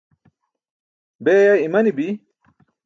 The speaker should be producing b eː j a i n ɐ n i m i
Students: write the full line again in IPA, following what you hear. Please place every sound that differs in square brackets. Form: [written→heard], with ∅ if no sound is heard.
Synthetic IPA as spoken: b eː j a i [n→m] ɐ n i [m→b] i